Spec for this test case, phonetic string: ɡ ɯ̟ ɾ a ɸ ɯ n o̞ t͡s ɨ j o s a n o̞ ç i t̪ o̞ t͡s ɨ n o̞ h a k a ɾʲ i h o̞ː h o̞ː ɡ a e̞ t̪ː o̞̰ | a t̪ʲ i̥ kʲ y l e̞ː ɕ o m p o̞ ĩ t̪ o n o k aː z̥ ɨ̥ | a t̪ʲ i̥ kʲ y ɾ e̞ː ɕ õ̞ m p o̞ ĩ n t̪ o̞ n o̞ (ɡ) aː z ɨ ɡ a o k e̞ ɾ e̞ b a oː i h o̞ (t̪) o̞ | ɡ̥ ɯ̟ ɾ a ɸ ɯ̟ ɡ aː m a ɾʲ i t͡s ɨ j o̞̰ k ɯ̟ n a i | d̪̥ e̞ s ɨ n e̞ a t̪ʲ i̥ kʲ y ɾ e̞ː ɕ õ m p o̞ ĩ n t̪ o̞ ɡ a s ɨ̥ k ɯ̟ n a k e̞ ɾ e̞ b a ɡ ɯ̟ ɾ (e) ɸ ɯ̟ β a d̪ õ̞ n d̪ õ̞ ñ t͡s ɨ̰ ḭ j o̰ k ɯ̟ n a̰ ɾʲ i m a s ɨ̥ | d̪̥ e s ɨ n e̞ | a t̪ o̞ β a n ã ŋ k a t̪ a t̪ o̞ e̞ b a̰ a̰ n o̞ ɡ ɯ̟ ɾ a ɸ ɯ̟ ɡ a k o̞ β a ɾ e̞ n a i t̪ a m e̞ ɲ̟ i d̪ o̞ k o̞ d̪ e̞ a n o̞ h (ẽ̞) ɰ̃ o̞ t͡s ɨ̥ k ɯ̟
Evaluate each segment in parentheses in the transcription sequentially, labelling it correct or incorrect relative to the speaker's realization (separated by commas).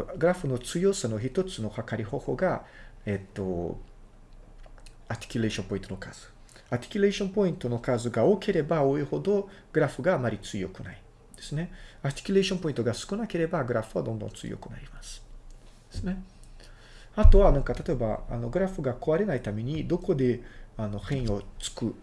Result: incorrect, incorrect, incorrect, correct